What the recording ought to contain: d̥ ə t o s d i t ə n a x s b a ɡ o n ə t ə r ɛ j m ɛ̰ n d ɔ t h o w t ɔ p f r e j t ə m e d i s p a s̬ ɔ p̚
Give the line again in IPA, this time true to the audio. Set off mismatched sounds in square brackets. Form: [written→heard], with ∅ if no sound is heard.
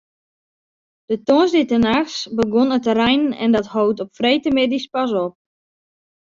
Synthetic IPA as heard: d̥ ə t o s d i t ə n a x s b [a→ə] ɡ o n ə t ə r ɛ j [m→n] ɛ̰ n d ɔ t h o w t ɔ p f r e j t ə m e d i s p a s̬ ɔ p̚